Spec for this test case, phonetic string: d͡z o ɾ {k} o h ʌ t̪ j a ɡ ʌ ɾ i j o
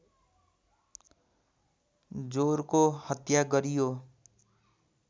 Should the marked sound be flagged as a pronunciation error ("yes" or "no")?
no